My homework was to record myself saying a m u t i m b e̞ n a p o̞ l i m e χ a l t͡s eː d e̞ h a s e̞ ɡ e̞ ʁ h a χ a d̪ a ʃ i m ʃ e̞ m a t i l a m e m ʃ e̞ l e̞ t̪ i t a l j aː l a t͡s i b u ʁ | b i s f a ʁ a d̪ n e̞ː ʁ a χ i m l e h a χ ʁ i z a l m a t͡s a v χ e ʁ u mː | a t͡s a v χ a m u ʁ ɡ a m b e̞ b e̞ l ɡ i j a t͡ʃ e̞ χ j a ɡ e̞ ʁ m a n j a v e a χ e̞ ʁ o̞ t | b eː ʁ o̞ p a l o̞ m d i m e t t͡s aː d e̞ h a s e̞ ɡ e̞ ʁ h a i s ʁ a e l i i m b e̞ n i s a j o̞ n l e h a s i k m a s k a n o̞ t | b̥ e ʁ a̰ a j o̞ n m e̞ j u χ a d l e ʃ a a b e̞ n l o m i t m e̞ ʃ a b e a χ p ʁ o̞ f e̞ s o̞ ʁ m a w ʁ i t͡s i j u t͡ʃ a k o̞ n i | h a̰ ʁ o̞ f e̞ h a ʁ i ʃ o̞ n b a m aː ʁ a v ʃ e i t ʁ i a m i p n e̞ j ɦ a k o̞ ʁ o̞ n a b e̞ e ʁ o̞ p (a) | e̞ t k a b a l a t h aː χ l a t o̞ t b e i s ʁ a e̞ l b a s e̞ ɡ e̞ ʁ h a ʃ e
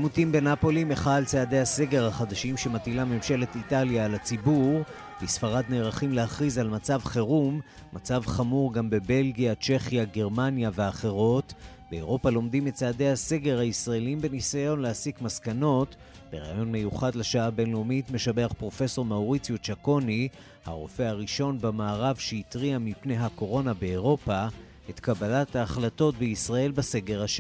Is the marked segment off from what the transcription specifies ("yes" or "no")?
no